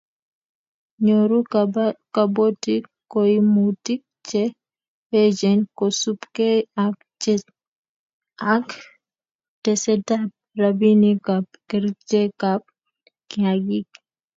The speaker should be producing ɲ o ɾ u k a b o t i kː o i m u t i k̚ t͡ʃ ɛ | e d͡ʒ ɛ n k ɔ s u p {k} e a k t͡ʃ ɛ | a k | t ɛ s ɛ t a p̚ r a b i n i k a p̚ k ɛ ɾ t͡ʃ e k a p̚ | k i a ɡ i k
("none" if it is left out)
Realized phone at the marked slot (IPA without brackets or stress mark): k